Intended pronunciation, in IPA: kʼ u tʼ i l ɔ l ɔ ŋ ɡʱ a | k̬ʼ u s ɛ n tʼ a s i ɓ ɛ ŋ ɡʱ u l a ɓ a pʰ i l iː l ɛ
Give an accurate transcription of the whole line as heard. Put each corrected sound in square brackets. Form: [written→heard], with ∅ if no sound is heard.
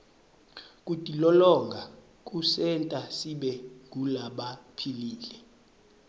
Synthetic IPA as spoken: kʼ u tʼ i l ɔ l ɔ ŋ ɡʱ a | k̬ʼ u s ɛ n tʼ a s i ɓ ɛ ŋ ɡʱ u l a ɓ a pʰ i l iː l ɛ